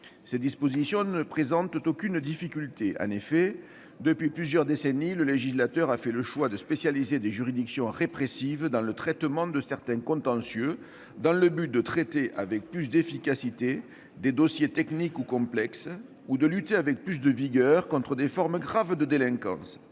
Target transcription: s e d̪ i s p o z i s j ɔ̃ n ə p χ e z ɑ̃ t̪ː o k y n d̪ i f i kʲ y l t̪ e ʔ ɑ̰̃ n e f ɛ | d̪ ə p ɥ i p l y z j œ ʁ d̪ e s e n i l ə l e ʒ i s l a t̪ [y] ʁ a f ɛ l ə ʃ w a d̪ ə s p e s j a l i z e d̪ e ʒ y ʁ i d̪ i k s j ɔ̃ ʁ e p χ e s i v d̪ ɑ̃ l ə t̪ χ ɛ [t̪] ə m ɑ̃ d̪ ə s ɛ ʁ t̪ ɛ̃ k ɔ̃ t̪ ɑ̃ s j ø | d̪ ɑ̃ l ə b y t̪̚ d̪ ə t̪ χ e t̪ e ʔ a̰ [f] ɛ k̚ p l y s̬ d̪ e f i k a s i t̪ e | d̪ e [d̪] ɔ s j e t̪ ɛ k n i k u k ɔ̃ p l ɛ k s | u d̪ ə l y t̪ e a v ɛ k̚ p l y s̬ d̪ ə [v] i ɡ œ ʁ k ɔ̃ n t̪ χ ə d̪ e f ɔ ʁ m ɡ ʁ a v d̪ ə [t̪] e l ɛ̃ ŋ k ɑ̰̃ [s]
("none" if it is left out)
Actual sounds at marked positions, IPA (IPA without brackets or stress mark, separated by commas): œ, t̪, v, d̪, v, d̪, s